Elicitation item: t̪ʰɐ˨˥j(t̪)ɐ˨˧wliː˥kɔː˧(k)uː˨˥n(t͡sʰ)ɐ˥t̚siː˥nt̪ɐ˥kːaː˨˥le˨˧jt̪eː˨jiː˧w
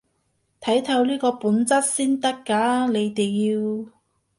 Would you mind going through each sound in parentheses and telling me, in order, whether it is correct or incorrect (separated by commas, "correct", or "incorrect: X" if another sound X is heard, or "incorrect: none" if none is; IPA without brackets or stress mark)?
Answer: incorrect: t̪ʰ, incorrect: p, incorrect: t͡s